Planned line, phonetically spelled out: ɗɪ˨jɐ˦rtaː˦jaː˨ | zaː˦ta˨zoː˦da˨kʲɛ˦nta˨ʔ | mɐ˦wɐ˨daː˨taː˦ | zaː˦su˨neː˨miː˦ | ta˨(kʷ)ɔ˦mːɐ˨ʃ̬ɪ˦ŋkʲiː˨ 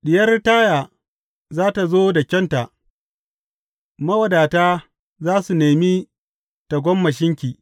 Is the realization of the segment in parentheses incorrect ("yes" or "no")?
yes